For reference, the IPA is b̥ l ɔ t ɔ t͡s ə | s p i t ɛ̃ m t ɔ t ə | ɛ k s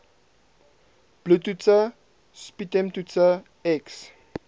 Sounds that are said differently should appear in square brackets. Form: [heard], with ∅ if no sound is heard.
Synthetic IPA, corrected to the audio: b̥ l [u] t [u] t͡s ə | s p i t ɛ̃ m t [u] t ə | ɛ k s